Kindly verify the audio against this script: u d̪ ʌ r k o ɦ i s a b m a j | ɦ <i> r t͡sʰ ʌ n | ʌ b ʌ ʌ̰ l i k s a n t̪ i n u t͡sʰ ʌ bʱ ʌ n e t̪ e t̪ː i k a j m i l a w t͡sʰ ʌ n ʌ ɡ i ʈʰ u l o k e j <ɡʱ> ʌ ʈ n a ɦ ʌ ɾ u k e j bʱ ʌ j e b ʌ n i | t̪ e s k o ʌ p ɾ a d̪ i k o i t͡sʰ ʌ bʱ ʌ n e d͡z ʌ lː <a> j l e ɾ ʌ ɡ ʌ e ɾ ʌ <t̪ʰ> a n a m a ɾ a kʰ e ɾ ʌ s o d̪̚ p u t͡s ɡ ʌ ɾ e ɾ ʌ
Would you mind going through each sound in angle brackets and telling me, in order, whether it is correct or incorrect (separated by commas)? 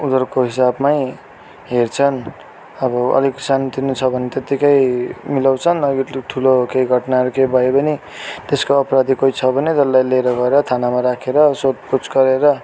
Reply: incorrect, correct, correct, correct